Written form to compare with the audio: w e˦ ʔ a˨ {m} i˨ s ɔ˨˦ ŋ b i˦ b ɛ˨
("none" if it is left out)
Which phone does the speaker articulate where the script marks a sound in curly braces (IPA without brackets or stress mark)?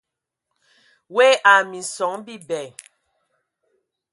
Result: m